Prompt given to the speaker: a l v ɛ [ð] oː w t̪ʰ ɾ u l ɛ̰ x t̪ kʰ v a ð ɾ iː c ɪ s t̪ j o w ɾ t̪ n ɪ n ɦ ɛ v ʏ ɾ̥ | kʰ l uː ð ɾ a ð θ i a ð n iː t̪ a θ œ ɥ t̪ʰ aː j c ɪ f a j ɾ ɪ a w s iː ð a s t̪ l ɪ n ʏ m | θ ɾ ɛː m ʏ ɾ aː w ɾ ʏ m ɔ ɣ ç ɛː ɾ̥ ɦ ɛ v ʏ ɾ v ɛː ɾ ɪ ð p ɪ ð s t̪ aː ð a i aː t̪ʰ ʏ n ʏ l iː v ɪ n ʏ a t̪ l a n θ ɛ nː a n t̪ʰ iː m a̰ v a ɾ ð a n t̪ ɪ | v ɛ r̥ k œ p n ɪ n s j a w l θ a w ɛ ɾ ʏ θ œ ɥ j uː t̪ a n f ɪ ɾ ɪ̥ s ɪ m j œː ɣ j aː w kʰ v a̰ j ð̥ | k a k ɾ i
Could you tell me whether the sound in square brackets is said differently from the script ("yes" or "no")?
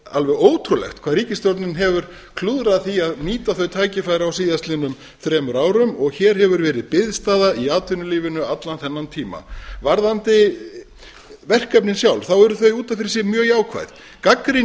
yes